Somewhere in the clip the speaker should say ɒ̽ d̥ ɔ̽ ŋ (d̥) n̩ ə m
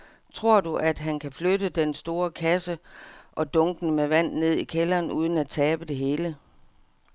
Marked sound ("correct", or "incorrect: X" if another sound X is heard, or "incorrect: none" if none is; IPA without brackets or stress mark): incorrect: ɡ̥